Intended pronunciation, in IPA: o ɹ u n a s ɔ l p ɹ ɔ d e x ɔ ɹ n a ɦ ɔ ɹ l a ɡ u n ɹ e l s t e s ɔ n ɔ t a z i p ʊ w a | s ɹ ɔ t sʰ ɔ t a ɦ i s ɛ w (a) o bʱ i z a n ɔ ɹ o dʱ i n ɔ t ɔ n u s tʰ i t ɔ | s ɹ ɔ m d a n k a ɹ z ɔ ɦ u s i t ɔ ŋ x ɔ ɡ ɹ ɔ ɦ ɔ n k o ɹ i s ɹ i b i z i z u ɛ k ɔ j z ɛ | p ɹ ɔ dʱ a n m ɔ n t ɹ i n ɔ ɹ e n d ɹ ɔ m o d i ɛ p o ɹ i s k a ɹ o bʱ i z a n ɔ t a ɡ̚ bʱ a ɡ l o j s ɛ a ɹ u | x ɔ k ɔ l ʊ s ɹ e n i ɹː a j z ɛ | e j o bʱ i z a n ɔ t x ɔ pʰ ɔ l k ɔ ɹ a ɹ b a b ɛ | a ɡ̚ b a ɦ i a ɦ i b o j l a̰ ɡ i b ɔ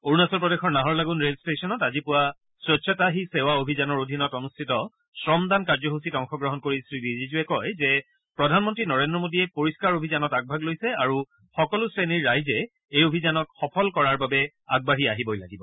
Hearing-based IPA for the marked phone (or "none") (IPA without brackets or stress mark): a